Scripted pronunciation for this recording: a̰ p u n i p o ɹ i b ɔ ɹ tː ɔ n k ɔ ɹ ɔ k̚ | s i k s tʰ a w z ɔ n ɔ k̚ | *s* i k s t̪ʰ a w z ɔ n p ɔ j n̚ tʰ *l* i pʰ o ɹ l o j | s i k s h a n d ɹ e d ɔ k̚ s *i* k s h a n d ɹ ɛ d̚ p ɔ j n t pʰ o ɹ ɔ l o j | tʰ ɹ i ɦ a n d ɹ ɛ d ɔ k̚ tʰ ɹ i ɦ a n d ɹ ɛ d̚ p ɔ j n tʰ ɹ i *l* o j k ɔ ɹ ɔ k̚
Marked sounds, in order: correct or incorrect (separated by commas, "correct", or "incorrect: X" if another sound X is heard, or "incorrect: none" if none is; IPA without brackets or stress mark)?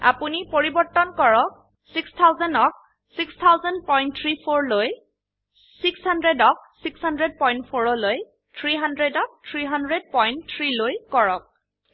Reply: correct, incorrect: ɹ, correct, correct